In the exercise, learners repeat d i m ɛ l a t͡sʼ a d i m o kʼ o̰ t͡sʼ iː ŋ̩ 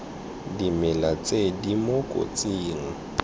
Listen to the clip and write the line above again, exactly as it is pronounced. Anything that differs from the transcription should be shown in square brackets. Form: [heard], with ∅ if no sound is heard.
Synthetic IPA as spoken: d i m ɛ l a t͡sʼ [e] d i m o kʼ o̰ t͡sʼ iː ŋ̩